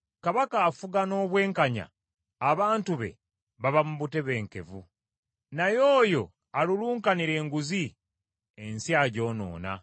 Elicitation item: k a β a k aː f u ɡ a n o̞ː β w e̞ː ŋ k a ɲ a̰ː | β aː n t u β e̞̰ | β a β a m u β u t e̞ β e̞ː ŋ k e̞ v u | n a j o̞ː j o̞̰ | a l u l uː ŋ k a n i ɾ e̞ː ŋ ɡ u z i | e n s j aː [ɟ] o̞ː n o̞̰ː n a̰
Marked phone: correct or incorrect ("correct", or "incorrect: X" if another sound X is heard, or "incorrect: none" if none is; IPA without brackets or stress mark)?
correct